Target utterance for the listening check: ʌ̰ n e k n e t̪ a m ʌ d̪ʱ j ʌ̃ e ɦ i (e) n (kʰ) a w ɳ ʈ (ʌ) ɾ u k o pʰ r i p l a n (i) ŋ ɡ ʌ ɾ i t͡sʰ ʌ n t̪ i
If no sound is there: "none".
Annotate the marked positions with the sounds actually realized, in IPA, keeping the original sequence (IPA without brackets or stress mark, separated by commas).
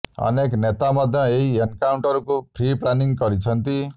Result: e, k, ʌ, i